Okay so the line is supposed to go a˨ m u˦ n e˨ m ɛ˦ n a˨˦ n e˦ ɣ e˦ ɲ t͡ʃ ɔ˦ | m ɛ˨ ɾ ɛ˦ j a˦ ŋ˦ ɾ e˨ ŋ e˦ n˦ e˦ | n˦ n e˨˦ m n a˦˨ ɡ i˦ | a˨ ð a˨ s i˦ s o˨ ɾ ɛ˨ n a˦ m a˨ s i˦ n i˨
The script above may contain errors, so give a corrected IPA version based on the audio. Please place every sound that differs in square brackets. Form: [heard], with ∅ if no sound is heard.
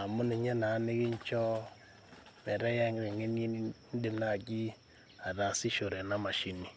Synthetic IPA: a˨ m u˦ n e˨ [ɲ] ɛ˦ n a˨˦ n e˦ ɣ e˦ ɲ t͡ʃ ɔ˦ | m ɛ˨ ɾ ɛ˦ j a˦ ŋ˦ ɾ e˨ ŋ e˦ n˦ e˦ | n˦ [d] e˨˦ m n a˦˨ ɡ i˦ | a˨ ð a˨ s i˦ [ʃ] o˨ ɾ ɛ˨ n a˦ m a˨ [ʃ] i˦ n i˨